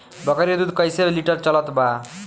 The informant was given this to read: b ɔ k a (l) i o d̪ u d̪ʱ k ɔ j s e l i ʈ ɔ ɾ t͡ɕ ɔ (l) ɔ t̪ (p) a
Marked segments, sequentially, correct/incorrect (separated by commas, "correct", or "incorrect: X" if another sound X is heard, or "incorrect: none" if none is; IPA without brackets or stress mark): incorrect: ɾ, correct, incorrect: b